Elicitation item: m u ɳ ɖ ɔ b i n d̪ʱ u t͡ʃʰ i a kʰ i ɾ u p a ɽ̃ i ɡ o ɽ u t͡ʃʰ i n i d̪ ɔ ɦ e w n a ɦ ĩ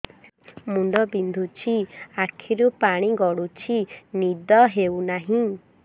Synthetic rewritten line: m u ɳ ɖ ɔ b i n d̪ʱ u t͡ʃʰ i a kʰ i ɾ u p a ɽ̃ i ɡ ɔ ɽ u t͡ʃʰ i n i d̪ ɔ ɦ e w n a ɦ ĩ